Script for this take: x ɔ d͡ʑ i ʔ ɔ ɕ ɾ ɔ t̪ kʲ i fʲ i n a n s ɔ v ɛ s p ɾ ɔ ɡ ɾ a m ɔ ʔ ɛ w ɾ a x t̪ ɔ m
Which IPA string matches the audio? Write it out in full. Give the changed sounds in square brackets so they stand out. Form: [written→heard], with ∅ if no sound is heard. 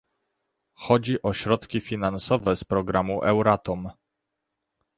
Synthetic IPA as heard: x ɔ d͡ʑ i ʔ ɔ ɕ ɾ ɔ t̪ kʲ i fʲ i n a n s ɔ v ɛ s p ɾ ɔ ɡ ɾ a m [ɔ→u] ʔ ɛ w ɾ a [x→∅] t̪ ɔ m